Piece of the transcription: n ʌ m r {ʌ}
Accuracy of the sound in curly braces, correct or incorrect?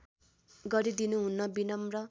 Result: correct